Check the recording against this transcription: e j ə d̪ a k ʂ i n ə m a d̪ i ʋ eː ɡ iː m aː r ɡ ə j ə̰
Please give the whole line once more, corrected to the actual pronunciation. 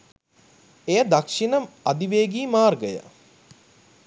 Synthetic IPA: e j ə d̪ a k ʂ i n ə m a d̪ i ʋ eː ɡ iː m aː r ɡ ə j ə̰